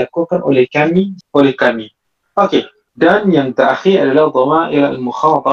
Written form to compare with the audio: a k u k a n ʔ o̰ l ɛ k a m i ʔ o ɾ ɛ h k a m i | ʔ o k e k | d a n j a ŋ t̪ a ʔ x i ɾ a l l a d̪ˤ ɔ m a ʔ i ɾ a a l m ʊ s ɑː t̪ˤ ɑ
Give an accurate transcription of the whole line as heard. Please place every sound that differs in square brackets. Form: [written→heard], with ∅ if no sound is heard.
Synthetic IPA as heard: a k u k a n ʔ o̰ l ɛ k a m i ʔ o [ɾ→l] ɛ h k a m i | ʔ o k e [k→∅] | d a n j a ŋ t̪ a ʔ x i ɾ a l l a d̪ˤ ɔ m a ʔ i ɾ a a l m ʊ [s→x] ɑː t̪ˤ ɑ